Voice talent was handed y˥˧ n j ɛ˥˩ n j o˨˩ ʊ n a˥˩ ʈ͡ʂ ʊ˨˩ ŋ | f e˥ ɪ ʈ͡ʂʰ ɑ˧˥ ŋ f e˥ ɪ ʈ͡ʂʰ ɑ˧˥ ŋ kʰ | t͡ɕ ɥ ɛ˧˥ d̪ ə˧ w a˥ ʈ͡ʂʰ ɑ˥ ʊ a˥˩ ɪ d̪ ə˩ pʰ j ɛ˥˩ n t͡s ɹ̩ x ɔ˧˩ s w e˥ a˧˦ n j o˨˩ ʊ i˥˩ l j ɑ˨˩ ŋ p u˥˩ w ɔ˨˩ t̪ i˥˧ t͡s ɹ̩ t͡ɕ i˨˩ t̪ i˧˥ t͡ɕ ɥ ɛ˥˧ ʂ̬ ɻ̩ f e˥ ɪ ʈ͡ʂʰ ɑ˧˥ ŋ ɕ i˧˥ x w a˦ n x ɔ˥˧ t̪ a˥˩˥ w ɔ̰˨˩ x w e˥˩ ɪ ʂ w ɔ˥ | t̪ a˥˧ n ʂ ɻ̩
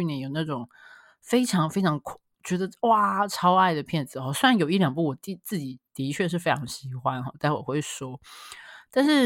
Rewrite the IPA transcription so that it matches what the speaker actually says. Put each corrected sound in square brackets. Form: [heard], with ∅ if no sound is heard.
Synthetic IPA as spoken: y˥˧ n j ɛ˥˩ n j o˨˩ ʊ n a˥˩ ʈ͡ʂ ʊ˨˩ ŋ | f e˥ ɪ ʈ͡ʂʰ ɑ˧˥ ŋ f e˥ ɪ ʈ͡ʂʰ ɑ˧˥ ŋ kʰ | t͡ɕ ɥ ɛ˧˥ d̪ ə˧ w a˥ ʈ͡ʂʰ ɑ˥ ʊ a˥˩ ɪ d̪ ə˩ pʰ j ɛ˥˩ n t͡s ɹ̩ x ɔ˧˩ s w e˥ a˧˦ n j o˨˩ ʊ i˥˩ l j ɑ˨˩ ŋ p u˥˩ w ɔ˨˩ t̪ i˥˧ t͡s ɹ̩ t͡ɕ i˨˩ t̪ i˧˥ [t͡ɕʰ] ɥ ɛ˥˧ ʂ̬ ɻ̩ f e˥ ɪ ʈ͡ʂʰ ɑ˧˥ ŋ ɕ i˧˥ x w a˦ n x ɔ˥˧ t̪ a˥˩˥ w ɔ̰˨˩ x w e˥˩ ɪ ʂ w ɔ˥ | t̪ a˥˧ n ʂ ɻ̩